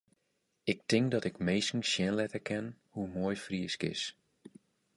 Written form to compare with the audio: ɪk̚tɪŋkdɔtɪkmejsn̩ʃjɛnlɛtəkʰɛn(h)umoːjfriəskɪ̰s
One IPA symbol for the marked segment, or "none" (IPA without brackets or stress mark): h